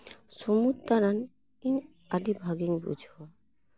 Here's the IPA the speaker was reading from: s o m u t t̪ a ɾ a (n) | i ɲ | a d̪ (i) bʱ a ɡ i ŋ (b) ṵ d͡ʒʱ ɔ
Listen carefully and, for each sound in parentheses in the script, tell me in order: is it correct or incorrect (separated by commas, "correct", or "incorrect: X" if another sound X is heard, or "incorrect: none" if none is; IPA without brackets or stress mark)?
correct, correct, correct